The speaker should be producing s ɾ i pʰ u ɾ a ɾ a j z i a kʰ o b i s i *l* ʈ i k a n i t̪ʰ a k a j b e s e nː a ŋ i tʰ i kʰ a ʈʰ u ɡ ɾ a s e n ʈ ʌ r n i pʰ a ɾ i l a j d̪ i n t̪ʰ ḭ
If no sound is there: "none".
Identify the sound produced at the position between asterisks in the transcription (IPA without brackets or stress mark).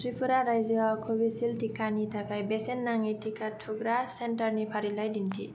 l